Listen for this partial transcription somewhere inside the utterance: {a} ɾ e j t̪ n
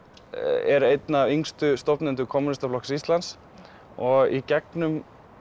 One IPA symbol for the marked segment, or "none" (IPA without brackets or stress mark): ɛ